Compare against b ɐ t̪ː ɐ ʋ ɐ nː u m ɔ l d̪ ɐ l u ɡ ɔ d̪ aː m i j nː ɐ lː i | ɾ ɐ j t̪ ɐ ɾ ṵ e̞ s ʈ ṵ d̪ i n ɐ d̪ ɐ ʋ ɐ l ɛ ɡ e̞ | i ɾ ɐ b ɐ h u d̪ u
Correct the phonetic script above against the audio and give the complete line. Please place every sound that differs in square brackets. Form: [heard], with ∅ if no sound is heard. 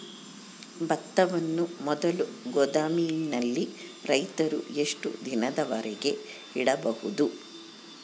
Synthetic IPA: b ɐ t̪ː ɐ ʋ ɐ nː u m ɔ [∅] d̪ ɐ l u ɡ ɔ d̪ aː m i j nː ɐ lː i | ɾ ɐ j t̪ ɐ ɾ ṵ e̞ [ʂ] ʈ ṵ d̪ i n ɐ d̪ ɐ ʋ ɐ [ɾ] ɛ ɡ e̞ | i [ɽ] ɐ b ɐ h u d̪ u